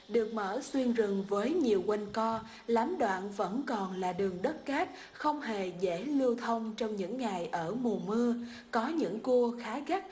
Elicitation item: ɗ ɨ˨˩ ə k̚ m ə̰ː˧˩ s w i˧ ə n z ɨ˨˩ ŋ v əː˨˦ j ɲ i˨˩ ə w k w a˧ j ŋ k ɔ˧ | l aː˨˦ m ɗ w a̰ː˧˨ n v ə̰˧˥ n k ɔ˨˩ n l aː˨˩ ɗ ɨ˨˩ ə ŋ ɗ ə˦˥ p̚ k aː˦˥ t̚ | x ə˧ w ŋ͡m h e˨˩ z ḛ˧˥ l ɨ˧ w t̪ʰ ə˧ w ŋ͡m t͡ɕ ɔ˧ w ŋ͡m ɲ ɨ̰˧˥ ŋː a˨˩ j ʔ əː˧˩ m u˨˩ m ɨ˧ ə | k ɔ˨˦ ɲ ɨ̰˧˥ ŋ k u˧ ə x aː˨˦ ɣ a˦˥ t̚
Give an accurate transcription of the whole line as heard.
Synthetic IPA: ɗ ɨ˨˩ ə k̚ m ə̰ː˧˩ s w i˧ ə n z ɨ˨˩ ŋ v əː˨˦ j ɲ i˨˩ ə w k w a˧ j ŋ k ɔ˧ | l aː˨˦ m ɗ w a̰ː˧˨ n v ə̰˧˥ n k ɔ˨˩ n l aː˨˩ ɗ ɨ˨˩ ə ŋ ɗ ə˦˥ t̚ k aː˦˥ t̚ | x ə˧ w ŋ͡m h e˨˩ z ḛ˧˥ l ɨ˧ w t̪ʰ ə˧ w ŋ͡m t͡ɕ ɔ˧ w ŋ͡m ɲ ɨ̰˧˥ ŋː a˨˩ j ʔ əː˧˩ m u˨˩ m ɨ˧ ə | k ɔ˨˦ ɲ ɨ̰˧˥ ŋ k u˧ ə x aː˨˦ ɣ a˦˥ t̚

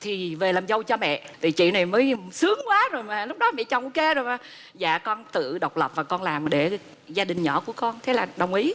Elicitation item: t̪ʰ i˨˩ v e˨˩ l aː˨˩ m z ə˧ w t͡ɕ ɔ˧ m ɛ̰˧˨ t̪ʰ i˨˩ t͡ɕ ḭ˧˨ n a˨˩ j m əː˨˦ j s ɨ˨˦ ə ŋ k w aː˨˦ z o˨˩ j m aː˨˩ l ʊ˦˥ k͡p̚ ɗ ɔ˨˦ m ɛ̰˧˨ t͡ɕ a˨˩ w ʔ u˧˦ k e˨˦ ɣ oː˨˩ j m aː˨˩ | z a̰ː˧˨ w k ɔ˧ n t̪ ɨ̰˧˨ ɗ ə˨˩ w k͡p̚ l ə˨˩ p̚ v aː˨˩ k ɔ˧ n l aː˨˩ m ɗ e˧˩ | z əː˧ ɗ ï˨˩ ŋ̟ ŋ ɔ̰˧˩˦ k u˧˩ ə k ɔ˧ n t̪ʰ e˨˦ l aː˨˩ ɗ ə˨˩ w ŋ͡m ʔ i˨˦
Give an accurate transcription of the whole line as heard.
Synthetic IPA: t̪ʰ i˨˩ v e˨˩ l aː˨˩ m z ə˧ w t͡ɕ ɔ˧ m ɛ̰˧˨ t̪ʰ i˨˩ t͡ɕ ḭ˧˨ n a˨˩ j m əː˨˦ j s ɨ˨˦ ə ŋ k w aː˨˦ z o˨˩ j m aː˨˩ l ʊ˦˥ k͡p̚ ɗ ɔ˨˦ m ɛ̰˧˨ t͡ɕ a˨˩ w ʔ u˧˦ k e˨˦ z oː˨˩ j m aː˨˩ | z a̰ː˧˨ k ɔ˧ n t̪ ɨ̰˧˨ ɗ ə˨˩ w k͡p̚ l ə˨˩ p̚ v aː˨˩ k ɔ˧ n l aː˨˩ m ɗ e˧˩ | z aː˧ ɗ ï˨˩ ŋ̟ ɲ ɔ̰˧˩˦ k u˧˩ ə k ɔ˧ n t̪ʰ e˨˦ l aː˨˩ ɗ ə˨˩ w ŋ͡m ʔ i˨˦

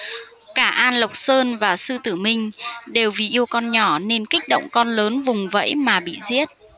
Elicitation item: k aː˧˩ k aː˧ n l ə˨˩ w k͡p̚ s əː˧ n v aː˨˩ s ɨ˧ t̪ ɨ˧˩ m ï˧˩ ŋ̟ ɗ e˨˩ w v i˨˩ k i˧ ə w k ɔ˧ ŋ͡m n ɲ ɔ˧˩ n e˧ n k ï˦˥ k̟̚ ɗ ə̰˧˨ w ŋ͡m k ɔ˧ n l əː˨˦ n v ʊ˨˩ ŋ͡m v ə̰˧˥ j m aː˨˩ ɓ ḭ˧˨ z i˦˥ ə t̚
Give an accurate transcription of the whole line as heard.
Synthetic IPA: k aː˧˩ ʔ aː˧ n l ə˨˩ w k͡p̚ s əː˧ n v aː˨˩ s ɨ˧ t̪ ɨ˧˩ m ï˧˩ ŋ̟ ɗ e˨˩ w v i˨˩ ʔ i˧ ə w k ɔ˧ n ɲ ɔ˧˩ n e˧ n k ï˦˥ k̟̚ ɗ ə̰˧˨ w ŋ͡m k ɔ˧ n l əː˨˦ n v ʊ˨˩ ŋ͡m v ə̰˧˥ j m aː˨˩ ɓ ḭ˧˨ z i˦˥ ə t̚

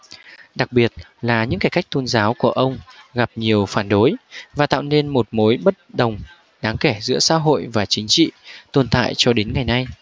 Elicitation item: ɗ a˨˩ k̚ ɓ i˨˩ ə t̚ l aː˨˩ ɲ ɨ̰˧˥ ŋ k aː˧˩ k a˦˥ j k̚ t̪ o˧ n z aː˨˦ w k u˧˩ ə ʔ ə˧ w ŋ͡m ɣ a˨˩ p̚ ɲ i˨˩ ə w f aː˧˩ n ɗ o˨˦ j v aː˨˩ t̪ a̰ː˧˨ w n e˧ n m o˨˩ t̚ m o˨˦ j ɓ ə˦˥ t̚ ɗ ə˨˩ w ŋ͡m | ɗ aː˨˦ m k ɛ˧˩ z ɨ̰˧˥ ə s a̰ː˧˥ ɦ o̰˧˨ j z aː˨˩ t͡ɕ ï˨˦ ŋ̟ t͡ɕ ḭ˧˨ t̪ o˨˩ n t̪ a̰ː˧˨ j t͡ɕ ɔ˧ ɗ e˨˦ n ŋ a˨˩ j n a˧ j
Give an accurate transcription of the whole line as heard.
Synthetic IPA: ɗ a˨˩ k̚ ɓ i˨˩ ə t̚ l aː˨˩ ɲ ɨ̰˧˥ ŋ k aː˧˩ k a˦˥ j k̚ t̪ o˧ n z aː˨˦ w k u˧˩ ə ʔ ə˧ w ŋ͡m ɣ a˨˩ p̚ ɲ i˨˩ ə w f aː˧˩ n ɗ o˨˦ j v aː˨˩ t̪ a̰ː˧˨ w n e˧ n m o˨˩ t̚ m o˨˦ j ɓ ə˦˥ t̚ ɗ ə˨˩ w ŋ͡m | ɗ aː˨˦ ŋ k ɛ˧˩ z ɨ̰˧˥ ə s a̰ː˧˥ ɦ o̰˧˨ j v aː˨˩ t͡ɕ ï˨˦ ŋ̟ t͡ɕ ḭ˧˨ t̪ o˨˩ n t̪ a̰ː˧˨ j t͡ɕ ɔ˧ ɗ e˨˦ n ŋ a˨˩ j n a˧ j

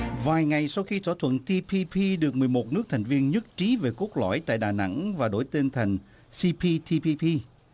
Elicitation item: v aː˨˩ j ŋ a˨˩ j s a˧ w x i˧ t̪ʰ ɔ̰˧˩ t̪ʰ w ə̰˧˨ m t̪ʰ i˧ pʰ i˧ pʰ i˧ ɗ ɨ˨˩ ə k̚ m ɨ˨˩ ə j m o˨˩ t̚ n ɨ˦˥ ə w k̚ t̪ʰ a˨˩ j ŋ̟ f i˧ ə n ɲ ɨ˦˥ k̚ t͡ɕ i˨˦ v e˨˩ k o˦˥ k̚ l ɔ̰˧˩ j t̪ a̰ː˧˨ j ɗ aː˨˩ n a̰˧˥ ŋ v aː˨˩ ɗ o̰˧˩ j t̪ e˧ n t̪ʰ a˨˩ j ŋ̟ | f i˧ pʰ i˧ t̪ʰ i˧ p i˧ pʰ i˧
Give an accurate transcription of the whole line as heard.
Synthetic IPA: v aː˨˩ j ŋ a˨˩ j s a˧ w x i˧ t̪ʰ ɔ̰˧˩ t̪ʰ w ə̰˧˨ n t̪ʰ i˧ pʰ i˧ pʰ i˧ ɗ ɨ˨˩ ə k̚ m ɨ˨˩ ə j m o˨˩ t̚ n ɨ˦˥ ə k̚ t̪ʰ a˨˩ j ŋ̟ v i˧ ə n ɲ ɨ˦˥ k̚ t͡ɕ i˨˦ v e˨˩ k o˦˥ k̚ l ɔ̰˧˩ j t̪ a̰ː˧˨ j ɗ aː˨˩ n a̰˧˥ ŋ v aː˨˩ ɗ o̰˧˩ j t̪ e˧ n t̪ʰ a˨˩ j ŋ̟ | s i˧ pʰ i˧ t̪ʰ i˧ p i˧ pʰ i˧

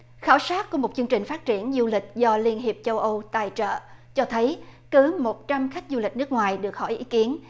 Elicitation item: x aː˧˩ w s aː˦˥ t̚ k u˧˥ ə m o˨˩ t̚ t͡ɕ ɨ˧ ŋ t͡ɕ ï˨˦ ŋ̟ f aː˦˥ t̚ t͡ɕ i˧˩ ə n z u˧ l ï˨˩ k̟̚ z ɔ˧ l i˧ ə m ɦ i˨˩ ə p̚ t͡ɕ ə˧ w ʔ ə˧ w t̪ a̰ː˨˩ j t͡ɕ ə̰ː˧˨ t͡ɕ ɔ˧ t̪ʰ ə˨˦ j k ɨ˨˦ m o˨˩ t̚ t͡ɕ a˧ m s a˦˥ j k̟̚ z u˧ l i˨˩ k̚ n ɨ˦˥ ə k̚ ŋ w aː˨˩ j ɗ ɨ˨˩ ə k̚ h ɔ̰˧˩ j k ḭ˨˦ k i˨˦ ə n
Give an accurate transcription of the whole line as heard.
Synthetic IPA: x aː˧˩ w s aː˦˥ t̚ k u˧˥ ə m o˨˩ t̚ t͡ɕ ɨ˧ ŋ t͡ɕ ï˨˩ ŋ̟ f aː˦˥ t̚ t͡ɕ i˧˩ ə n z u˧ l ï˨˩ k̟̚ z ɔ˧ l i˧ ə n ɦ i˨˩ ə p̚ t͡ɕ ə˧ w ʔ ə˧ w t̪ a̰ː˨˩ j t͡ɕ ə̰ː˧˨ t͡ɕ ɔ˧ t̪ʰ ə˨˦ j k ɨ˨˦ m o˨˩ t̚ t͡ɕ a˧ m x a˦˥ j k̟̚ z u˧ l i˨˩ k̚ n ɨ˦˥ ə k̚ ŋ w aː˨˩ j ɗ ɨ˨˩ ə k̚ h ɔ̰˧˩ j ʔ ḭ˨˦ k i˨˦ ə n

